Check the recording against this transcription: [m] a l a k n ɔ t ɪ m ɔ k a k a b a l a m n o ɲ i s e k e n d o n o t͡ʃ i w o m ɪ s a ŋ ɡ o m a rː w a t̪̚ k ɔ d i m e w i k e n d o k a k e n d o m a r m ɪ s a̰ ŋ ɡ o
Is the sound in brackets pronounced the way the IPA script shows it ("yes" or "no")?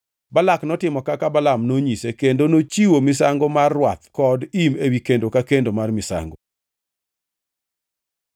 no